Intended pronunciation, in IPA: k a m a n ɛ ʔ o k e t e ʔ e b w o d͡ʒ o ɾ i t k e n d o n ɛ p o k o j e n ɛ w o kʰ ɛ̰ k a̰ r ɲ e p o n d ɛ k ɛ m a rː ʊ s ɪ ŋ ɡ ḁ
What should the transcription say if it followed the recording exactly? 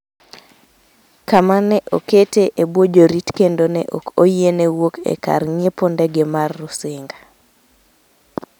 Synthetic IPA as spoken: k a m a n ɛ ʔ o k e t e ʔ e b w o d͡ʒ o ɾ i t k e n d o n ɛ ʔ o k o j e n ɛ w o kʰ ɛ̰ k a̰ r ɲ e p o n d ɛ ɡ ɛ m a rː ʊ s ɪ ŋ ɡ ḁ